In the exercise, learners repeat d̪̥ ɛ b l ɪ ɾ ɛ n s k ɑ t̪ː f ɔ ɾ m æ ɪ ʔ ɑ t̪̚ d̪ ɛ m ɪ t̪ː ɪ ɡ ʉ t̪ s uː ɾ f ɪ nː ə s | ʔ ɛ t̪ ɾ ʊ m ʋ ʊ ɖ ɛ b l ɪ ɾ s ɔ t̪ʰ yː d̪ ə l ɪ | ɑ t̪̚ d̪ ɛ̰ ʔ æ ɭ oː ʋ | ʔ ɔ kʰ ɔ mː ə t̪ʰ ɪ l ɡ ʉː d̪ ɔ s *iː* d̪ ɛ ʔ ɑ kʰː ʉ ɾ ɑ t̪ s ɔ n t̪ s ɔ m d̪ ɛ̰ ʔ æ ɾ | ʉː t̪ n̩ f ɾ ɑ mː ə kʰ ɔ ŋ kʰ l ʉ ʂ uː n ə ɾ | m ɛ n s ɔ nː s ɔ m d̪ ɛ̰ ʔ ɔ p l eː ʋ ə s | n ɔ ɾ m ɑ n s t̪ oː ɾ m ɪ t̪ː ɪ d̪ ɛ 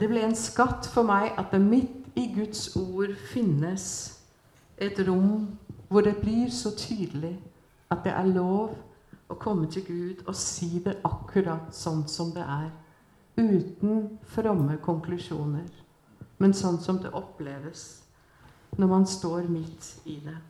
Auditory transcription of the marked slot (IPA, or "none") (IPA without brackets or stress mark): iː